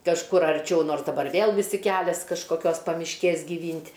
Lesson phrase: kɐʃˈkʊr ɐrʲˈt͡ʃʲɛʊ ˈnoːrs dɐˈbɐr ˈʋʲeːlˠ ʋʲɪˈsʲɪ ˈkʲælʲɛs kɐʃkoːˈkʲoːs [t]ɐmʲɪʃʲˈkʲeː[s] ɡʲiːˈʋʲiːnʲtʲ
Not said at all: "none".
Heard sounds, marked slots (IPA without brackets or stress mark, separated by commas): p, s